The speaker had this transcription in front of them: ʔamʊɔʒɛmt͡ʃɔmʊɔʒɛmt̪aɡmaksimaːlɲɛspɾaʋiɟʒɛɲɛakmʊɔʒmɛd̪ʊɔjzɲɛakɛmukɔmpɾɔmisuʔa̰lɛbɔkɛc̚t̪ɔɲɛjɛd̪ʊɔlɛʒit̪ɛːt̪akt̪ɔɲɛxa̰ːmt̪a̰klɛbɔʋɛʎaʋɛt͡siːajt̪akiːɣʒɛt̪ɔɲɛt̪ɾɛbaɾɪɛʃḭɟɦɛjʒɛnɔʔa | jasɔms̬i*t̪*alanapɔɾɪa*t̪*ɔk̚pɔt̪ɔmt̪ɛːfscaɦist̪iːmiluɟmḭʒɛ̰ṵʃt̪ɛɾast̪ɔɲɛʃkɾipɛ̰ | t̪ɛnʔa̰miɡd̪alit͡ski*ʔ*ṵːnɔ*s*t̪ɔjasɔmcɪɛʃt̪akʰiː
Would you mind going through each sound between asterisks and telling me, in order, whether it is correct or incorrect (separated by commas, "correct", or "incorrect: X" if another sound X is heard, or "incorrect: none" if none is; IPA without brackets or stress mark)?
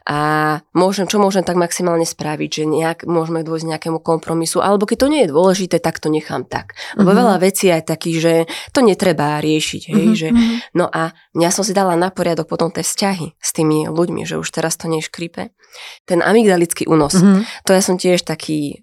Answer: incorrect: d̪, incorrect: d̪, correct, correct